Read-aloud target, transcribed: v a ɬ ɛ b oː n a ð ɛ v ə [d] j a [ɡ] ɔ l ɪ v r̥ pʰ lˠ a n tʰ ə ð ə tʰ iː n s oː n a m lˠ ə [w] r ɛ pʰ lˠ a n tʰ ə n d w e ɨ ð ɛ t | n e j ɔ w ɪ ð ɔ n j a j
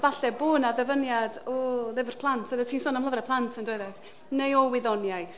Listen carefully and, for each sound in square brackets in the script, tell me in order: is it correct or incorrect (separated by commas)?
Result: incorrect, incorrect, incorrect